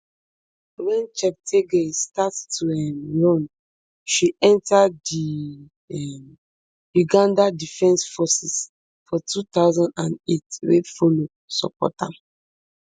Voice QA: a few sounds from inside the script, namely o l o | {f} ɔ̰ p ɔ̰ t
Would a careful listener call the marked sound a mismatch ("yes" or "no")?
yes